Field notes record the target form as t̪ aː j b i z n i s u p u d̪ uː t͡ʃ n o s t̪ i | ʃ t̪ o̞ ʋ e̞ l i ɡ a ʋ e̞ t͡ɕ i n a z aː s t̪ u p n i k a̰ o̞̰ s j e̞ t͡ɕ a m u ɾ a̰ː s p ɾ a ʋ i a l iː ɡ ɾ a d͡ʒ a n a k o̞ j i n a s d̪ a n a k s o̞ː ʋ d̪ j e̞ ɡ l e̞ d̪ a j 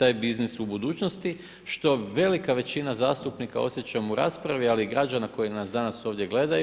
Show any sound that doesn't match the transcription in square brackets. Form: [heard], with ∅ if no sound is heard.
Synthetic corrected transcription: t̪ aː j b i z n i s u [b] u d̪ uː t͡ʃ n o s t̪ i | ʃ t̪ o̞ ʋ e̞ l i [k] a ʋ e̞ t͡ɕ i n a z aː s t̪ u p n i k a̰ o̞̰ s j e̞ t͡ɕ a m u ɾ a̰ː s p ɾ a ʋ i a l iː ɡ ɾ a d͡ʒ a n a k o̞ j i n a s d̪ a n a [∅] s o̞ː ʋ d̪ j e̞ ɡ l e̞ d̪ a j